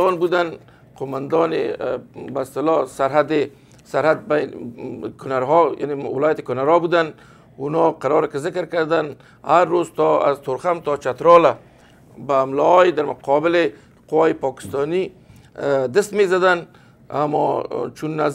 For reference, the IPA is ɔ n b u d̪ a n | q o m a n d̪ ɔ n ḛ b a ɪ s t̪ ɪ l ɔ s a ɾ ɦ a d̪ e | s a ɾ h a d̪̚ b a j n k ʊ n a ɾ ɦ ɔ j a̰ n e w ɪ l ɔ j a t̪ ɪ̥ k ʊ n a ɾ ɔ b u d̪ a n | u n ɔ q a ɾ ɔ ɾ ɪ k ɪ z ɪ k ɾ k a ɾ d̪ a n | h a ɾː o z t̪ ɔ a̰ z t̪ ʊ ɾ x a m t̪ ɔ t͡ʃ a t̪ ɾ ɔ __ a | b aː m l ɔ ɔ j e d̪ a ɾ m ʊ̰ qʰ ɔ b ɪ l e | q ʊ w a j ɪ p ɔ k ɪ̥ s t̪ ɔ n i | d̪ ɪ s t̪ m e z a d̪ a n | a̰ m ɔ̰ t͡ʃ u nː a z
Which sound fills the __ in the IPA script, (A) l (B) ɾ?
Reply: A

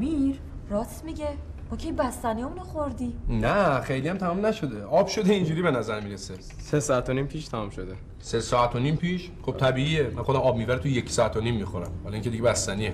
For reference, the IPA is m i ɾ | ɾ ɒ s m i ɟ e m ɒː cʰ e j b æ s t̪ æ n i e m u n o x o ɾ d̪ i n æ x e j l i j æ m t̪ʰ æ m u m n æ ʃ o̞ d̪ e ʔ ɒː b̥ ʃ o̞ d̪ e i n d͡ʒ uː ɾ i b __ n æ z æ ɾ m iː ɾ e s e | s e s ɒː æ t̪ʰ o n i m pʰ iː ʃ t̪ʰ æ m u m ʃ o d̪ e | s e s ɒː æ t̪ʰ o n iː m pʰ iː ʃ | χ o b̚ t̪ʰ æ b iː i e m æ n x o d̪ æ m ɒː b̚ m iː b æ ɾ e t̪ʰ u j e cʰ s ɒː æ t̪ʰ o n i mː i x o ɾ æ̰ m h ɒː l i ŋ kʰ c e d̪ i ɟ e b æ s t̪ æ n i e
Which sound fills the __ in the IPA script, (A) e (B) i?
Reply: A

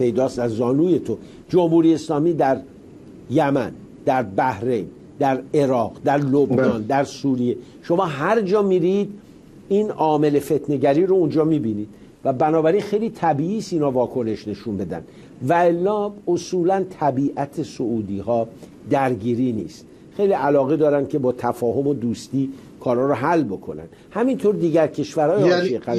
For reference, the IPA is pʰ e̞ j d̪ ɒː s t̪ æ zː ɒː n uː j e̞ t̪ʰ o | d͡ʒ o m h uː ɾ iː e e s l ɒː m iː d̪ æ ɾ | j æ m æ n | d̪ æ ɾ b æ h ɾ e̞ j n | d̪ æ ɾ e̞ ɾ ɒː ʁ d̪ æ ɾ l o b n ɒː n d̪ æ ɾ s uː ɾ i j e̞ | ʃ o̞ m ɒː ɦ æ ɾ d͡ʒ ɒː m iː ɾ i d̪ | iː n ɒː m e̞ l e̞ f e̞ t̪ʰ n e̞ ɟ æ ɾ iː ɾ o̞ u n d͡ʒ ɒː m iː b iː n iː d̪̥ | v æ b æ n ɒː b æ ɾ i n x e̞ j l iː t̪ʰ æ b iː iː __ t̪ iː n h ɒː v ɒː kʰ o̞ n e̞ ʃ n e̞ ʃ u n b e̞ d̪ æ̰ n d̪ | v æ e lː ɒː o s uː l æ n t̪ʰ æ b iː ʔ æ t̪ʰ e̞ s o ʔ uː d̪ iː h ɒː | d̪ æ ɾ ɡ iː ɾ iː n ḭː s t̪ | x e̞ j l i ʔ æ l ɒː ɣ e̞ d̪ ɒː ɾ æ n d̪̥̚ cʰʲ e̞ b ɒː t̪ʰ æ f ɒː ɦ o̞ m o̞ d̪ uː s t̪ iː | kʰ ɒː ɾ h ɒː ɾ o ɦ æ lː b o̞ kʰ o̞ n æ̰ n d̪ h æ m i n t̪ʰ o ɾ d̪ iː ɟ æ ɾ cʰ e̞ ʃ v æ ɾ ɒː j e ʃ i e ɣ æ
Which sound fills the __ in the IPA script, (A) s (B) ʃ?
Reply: A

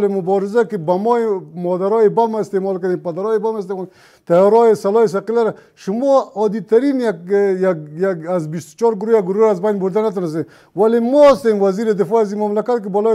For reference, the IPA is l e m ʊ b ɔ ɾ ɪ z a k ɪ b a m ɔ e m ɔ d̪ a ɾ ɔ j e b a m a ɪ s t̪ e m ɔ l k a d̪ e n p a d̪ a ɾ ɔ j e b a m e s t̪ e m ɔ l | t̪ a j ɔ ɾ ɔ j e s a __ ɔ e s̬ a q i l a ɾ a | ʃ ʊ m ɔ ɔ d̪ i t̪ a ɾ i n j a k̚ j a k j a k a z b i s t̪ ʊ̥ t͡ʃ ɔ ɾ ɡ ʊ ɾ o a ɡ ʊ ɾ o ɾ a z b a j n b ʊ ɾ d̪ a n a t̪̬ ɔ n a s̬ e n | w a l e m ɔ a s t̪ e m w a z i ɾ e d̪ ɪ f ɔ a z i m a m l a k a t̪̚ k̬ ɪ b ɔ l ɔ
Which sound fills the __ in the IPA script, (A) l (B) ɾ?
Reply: A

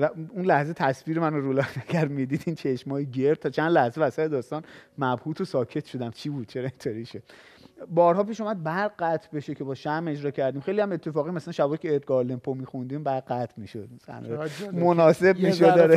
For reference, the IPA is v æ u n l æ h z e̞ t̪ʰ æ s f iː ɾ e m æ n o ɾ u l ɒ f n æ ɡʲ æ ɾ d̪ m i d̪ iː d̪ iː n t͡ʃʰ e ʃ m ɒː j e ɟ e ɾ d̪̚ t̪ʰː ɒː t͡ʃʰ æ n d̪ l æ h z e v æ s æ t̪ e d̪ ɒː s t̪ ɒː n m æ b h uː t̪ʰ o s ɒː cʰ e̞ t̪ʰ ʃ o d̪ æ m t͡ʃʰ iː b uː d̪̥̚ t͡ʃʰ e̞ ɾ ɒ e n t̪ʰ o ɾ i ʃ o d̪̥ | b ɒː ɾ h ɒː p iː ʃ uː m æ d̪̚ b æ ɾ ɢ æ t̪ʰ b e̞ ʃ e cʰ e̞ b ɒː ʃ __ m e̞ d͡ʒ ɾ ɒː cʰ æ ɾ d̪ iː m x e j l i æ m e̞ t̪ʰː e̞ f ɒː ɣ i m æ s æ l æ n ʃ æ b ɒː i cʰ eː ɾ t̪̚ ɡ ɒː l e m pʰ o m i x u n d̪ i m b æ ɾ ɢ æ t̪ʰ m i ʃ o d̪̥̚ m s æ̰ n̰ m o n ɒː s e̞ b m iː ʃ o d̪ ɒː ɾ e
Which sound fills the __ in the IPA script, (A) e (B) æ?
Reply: B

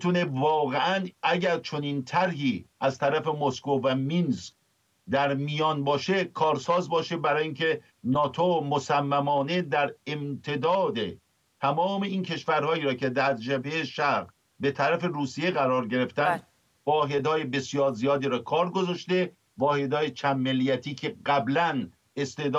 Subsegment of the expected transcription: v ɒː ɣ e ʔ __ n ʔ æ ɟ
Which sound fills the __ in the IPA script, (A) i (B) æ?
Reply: B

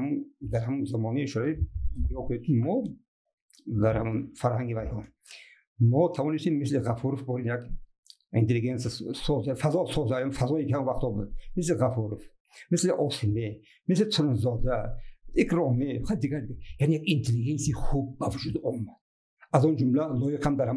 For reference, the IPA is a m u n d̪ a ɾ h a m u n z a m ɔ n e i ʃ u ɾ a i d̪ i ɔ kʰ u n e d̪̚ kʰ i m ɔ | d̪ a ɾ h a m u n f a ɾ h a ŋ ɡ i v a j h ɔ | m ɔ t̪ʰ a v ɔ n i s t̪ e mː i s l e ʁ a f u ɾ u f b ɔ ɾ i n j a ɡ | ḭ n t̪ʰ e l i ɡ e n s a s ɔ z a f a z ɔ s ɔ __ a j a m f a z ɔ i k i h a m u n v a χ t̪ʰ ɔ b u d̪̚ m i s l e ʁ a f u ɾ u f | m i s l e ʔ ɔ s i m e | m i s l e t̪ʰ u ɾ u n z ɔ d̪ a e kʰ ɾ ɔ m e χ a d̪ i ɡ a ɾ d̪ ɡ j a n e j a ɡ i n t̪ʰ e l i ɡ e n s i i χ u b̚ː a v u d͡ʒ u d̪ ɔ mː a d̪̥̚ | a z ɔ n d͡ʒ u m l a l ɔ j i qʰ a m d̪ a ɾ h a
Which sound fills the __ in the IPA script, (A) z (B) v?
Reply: A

